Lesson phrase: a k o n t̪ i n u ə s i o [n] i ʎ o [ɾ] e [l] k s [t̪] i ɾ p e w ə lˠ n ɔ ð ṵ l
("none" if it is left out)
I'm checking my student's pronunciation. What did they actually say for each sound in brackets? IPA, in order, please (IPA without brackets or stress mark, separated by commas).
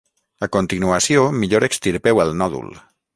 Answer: m, ɾ, none, t̪